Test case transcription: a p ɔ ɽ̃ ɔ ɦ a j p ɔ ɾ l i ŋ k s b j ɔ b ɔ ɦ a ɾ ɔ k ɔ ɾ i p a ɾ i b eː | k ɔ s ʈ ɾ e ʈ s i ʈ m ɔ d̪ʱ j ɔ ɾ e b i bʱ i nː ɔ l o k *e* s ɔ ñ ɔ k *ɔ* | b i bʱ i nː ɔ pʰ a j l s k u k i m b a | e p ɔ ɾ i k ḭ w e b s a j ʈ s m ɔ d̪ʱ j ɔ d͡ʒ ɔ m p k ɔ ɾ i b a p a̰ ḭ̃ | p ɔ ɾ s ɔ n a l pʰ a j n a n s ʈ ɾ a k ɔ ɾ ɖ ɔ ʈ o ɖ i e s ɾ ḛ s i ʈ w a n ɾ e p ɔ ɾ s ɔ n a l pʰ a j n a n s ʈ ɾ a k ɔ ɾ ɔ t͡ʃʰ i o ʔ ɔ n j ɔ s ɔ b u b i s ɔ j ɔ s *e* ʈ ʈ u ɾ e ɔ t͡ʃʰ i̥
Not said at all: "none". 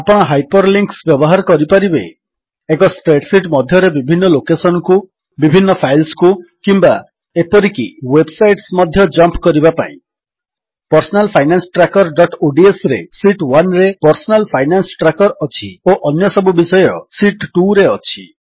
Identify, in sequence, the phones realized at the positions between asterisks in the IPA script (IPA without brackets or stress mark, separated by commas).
e, u, i